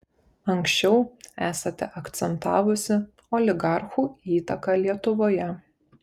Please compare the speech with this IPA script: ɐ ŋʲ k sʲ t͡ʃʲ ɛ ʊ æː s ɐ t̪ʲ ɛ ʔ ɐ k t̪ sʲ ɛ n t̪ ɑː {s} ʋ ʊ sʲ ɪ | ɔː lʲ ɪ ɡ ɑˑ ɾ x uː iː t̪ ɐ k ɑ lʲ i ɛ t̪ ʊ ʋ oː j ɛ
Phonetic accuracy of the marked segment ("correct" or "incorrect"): incorrect